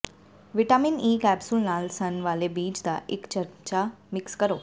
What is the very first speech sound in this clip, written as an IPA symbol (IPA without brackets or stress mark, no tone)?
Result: ʋ